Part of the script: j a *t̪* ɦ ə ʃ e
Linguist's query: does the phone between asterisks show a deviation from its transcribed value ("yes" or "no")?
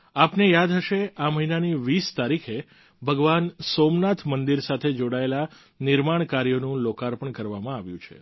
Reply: yes